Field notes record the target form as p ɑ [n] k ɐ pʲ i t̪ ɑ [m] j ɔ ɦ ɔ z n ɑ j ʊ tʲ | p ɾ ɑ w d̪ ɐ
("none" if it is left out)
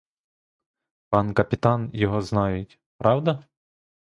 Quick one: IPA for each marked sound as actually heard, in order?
n, n

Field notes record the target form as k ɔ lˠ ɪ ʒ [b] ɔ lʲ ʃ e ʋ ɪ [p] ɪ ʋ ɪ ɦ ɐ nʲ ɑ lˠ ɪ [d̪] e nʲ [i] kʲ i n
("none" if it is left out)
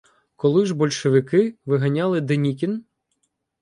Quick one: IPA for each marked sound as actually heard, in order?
b, k, d̪, i

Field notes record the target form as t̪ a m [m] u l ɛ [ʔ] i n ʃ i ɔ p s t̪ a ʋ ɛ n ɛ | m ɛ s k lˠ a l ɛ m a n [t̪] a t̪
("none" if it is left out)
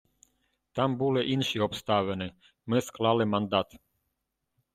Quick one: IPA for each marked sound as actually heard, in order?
b, ʔ, d̪

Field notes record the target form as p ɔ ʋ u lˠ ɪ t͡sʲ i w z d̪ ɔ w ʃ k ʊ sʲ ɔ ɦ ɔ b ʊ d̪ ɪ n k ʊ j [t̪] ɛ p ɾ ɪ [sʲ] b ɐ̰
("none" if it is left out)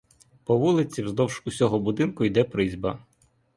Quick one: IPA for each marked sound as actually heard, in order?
d̪, zʲ

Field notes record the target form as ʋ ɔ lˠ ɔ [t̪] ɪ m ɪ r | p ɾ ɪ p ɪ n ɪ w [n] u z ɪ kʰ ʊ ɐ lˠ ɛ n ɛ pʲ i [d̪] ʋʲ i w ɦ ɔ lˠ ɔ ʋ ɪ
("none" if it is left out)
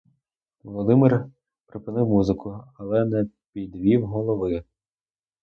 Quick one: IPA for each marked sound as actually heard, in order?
d̪, m, d̪

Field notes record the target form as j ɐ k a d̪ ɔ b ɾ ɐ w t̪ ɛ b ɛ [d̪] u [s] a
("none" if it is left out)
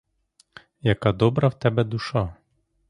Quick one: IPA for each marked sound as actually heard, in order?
d̪, ʃ

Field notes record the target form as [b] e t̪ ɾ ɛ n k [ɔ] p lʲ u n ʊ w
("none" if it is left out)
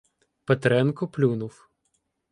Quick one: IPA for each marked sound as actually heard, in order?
p, ɔ

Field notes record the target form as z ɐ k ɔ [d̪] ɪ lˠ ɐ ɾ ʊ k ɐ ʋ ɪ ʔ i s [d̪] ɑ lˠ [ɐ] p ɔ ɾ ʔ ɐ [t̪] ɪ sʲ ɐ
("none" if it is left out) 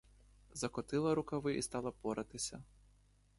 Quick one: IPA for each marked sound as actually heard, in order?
t̪, t̪, ɐ, t̪

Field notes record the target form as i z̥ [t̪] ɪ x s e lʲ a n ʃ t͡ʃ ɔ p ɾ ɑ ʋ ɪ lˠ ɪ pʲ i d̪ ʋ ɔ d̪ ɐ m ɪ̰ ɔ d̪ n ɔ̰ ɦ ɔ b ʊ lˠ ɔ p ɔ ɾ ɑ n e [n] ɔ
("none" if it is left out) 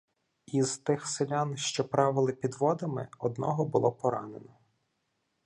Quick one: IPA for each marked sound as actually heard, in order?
t̪, n

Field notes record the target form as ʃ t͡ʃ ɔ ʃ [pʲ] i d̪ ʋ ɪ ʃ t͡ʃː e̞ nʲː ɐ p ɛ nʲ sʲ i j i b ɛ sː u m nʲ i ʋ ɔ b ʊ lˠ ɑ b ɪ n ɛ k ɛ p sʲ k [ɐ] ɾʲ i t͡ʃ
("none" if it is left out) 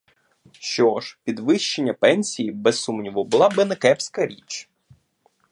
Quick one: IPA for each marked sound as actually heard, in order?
pʲ, ɐ

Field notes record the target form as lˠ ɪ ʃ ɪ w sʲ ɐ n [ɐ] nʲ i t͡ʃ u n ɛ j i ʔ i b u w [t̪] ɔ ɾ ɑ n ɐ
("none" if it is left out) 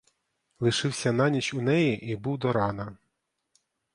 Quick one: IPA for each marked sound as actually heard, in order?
ɑ, d̪

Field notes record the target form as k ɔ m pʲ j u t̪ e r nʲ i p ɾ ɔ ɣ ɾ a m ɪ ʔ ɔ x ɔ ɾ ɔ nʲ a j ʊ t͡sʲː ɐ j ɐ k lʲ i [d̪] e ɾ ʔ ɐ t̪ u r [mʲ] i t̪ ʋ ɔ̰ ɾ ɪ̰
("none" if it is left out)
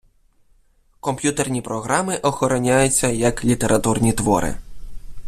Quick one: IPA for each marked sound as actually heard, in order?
t̪, nʲ

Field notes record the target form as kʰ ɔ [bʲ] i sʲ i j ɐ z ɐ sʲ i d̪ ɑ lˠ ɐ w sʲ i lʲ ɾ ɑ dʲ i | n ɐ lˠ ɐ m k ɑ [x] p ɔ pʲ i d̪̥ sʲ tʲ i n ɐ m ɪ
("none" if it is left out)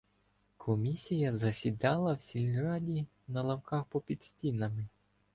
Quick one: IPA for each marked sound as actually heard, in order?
mʲ, x

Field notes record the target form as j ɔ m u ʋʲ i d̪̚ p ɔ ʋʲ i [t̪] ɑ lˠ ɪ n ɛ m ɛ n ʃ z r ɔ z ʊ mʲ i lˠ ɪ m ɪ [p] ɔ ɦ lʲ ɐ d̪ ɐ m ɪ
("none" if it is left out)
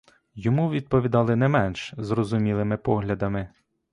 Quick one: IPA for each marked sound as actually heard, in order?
d̪, p

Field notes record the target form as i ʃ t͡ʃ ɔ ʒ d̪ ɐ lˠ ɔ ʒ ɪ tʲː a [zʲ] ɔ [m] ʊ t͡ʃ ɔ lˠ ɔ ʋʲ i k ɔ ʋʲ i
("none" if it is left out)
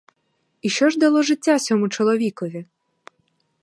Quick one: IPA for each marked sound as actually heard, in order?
sʲ, m

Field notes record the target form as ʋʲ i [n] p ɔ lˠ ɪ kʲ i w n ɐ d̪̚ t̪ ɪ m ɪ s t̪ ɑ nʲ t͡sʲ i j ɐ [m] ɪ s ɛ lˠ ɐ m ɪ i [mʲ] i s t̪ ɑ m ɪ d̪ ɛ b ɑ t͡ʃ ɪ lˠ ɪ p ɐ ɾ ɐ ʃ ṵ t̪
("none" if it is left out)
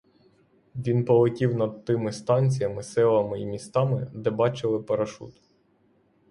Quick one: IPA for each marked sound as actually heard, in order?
n, m, mʲ

